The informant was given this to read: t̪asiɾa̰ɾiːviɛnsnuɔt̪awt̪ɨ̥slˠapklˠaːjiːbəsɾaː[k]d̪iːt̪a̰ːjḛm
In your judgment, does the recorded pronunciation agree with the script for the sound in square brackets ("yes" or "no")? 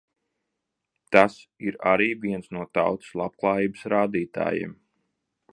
no